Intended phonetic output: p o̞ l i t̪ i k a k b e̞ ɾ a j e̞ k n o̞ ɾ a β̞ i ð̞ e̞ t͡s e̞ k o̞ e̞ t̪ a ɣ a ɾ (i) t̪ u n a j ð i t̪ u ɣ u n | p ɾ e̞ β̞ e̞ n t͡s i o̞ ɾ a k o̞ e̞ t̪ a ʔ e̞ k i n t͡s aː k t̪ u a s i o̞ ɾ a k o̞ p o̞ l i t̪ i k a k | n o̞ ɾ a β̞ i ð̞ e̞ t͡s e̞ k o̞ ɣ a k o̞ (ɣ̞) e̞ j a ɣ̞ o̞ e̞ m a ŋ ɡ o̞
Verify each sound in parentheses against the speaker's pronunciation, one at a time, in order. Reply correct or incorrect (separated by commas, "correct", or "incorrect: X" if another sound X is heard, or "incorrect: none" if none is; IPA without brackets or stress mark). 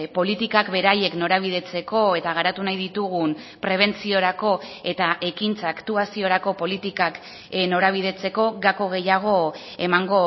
incorrect: a, correct